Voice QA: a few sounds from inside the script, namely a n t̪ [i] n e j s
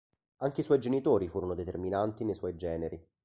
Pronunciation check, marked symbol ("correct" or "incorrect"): correct